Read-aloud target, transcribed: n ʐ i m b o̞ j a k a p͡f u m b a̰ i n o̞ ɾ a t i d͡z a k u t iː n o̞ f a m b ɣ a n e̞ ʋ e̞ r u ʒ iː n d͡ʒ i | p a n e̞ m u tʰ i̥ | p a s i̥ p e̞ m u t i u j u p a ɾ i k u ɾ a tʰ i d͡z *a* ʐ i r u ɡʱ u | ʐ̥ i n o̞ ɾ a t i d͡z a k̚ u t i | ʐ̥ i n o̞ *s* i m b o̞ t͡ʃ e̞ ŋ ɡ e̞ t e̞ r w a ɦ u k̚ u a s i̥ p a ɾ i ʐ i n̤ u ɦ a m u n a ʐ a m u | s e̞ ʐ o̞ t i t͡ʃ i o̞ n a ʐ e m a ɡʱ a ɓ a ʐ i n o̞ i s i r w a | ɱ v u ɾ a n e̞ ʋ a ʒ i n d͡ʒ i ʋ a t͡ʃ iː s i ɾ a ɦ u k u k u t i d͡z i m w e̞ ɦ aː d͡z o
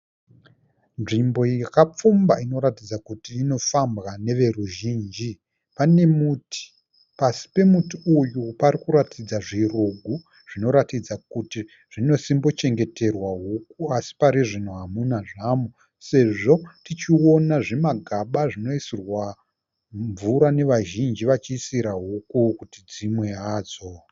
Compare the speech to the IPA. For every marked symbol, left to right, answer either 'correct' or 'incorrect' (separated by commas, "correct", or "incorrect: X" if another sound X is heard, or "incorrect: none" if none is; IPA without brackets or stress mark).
correct, correct